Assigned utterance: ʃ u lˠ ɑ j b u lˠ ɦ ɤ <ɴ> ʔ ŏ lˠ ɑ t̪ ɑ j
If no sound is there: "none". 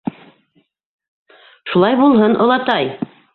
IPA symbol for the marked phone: n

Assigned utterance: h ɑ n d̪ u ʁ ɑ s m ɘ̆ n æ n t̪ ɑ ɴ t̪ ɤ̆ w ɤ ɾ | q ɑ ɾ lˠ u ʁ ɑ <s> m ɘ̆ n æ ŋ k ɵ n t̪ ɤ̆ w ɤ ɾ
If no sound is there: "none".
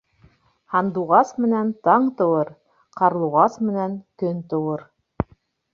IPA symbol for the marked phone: s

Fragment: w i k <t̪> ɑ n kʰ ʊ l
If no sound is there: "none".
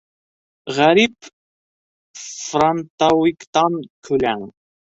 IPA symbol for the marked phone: t̪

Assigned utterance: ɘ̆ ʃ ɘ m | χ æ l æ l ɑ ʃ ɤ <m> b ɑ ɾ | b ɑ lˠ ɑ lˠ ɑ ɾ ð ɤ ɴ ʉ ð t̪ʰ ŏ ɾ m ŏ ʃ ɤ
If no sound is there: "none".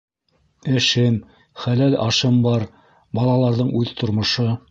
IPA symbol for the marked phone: m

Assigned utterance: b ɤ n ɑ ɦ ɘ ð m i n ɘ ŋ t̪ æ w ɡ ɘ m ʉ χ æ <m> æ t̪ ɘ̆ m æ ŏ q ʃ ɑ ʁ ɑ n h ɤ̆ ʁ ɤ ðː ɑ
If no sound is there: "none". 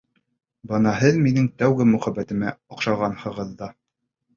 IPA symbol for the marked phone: b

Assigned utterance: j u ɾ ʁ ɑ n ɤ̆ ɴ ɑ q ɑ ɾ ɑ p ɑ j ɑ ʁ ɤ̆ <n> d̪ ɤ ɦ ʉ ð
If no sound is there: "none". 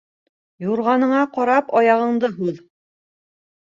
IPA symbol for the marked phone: ɴ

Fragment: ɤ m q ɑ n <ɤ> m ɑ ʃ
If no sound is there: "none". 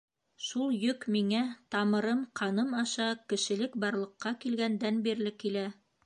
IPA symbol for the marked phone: ɤ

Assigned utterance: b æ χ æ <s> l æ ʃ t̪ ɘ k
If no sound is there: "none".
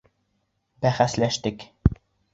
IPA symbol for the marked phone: s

